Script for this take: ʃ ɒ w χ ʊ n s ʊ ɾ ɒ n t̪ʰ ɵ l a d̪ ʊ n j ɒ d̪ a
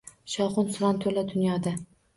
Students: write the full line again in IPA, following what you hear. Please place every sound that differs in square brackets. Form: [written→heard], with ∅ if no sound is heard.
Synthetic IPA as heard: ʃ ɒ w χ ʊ n s ʊ ɾ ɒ n t̪ʰ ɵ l a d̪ ʊ n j ɒ d̪ a